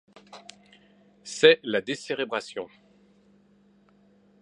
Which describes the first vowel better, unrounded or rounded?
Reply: unrounded